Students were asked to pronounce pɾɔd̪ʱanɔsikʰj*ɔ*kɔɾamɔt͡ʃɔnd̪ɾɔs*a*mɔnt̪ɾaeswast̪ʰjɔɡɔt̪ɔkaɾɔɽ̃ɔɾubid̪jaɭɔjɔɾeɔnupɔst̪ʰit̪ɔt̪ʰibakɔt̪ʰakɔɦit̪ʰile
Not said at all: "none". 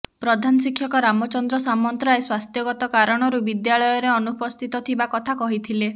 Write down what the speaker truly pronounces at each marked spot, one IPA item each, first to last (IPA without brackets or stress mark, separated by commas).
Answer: ɔ, a